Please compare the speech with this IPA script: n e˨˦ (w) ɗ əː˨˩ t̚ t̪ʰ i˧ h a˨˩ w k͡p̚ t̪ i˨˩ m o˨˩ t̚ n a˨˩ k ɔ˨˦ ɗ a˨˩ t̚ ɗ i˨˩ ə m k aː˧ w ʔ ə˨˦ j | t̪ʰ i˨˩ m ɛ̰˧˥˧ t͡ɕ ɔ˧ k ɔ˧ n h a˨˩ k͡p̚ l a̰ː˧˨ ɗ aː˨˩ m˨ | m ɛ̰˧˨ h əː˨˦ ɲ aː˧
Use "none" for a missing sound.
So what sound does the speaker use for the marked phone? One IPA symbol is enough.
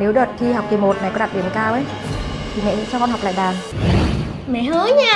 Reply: w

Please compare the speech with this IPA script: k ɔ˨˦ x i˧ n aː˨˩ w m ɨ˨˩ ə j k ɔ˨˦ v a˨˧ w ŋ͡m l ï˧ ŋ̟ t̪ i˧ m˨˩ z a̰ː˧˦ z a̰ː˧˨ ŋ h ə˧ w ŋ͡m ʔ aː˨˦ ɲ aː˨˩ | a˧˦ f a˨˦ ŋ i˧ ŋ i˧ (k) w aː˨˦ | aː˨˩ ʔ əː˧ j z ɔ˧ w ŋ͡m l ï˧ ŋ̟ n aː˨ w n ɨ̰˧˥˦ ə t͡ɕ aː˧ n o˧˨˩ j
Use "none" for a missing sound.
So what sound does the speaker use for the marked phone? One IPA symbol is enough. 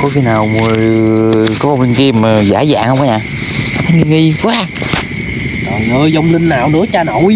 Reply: k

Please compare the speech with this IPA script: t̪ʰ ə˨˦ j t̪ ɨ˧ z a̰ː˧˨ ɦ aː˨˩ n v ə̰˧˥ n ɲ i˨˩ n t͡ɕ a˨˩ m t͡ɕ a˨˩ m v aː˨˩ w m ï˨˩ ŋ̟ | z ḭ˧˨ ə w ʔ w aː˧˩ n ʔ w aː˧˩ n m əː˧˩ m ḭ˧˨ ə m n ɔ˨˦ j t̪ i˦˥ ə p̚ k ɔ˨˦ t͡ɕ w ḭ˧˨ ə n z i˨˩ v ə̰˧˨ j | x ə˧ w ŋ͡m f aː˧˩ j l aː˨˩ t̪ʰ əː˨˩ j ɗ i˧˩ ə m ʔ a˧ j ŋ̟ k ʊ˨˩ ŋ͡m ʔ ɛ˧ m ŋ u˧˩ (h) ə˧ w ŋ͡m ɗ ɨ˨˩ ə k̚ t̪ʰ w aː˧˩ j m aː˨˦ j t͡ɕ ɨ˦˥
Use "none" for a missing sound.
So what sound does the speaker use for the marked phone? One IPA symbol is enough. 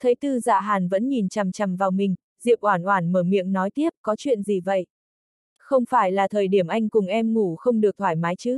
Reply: x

